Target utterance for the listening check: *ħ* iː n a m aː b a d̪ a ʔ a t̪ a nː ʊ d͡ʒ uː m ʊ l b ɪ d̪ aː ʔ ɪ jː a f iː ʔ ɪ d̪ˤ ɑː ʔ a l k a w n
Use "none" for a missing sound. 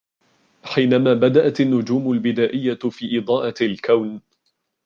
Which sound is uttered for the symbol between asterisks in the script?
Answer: ħ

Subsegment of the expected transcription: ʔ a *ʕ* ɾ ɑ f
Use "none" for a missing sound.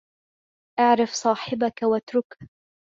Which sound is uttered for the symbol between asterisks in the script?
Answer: ʕ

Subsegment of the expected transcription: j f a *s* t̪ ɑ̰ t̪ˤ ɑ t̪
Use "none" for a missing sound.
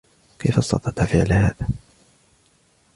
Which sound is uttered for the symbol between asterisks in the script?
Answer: s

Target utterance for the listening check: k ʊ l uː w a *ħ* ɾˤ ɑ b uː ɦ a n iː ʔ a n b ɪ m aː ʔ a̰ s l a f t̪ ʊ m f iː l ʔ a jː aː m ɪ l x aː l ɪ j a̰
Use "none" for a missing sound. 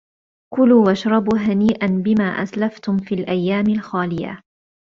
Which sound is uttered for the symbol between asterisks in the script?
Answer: ʃ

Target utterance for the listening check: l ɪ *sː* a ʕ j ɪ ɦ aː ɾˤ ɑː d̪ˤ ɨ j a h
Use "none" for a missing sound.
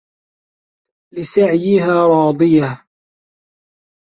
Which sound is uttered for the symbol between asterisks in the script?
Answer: s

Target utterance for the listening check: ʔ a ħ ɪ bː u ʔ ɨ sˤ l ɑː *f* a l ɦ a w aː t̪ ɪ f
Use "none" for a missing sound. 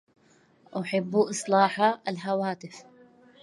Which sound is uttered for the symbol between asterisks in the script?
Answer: ħ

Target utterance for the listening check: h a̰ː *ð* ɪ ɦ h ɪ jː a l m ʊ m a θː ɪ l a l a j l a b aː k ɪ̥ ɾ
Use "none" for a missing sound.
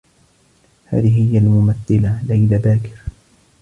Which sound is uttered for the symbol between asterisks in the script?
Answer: ð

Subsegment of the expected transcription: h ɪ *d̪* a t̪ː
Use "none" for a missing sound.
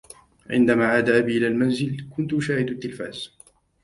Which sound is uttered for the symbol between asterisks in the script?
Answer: d̪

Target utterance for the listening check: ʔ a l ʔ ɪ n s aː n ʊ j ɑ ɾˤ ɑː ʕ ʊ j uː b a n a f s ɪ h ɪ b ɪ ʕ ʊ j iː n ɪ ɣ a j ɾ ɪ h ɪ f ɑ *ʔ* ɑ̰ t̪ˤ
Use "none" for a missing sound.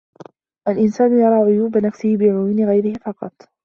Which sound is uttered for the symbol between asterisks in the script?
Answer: q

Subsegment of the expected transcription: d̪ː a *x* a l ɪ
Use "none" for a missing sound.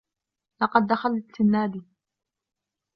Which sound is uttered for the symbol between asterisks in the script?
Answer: x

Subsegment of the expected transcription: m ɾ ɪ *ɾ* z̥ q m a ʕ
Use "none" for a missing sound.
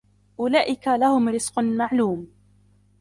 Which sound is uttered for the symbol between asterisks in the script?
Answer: none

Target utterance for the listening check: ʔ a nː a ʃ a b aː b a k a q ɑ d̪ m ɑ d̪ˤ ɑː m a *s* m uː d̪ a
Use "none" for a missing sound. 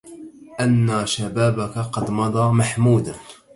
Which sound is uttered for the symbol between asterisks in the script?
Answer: ħ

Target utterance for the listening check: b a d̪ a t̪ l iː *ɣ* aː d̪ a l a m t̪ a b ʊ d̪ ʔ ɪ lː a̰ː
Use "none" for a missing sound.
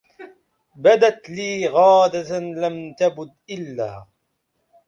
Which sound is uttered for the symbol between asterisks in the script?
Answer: ɣ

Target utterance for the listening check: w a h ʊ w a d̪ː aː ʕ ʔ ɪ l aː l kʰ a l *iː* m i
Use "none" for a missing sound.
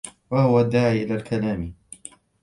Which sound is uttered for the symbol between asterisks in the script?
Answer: aː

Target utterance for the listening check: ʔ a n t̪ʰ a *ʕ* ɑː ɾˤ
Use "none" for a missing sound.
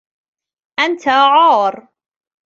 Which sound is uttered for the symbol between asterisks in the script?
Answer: ʕ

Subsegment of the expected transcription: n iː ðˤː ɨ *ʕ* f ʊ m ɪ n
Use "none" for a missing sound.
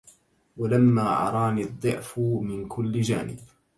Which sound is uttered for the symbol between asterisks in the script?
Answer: ʕ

